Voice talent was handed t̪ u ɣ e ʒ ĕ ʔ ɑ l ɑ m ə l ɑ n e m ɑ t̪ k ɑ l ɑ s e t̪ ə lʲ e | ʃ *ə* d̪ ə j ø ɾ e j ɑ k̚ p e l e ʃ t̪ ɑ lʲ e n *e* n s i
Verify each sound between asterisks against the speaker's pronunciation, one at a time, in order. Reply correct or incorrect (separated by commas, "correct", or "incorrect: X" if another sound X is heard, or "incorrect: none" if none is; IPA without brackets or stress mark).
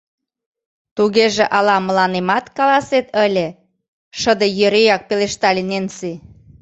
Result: correct, correct